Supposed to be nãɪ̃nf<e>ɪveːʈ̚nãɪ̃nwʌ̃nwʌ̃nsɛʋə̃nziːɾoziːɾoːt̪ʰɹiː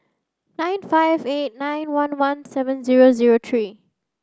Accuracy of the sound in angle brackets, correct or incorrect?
incorrect